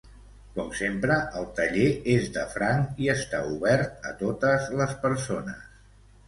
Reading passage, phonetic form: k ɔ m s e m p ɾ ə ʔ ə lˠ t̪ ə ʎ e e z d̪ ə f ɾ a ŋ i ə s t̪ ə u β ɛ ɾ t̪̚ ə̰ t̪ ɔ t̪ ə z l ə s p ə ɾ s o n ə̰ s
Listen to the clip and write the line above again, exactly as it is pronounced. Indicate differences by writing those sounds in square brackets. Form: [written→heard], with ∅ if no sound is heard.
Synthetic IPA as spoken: k ɔ m s e m p ɾ ə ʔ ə lˠ t̪ ə ʎ e e z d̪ ə f ɾ a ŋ i ə s t̪ [ə→a] u β ɛ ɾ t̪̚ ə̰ t̪ [ɔ→o] t̪ ə z l ə s p ə ɾ s o n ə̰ s